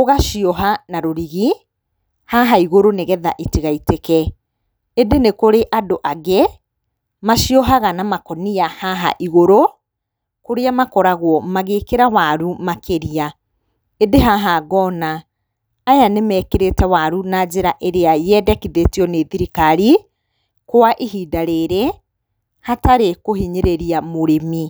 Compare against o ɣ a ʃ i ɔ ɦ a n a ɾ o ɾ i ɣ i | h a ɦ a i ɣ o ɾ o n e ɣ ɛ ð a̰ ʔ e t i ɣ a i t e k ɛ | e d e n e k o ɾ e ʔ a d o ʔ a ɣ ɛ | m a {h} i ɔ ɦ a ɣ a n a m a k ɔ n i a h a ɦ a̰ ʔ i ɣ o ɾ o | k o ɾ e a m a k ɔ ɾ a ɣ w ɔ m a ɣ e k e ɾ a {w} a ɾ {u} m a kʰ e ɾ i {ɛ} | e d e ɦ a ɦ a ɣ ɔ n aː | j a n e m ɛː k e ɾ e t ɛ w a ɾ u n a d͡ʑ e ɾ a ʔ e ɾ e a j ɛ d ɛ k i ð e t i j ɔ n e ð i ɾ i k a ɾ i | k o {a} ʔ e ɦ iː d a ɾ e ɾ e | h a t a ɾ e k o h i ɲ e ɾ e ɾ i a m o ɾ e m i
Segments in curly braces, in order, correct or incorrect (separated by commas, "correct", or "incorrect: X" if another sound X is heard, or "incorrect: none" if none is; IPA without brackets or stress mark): incorrect: ʃ, correct, correct, incorrect: a, correct